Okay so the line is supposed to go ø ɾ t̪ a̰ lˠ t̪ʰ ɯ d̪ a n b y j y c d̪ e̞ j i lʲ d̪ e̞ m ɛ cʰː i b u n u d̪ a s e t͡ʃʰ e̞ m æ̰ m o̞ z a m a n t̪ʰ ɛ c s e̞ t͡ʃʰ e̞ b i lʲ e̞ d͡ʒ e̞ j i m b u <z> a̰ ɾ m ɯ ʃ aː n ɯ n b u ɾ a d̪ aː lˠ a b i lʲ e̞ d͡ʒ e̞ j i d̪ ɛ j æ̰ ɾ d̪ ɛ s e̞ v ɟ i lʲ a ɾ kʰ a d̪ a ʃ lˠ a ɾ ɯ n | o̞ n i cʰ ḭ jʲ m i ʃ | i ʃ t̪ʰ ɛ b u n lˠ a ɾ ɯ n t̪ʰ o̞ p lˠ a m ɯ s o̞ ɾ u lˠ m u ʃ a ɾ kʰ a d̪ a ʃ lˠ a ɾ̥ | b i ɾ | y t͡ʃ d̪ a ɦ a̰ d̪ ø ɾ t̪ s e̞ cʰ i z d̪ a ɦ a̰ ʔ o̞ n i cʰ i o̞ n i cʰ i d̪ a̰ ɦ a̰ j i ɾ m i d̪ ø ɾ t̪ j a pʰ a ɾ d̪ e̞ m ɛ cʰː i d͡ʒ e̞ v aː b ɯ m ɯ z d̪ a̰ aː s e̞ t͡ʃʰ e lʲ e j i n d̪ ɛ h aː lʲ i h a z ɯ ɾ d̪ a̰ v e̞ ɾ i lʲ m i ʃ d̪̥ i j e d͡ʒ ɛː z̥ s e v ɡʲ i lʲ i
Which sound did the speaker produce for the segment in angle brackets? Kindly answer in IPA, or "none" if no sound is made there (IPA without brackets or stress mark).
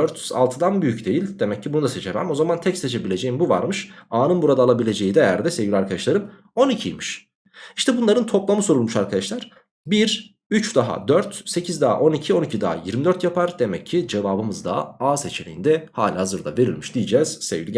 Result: v